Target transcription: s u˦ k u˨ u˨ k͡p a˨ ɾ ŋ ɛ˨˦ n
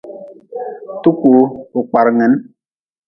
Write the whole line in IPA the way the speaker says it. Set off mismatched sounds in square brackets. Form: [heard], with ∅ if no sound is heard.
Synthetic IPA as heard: [t] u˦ k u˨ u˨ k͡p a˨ ɾ ŋ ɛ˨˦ n